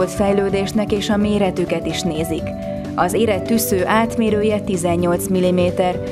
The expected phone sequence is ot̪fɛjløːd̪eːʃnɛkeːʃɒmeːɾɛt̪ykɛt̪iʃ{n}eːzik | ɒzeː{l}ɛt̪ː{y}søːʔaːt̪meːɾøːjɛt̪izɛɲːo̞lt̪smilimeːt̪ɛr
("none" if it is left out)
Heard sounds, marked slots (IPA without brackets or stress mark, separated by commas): n, ɾ, y